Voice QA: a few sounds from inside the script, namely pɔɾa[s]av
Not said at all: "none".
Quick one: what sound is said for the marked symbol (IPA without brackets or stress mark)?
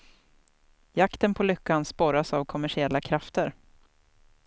s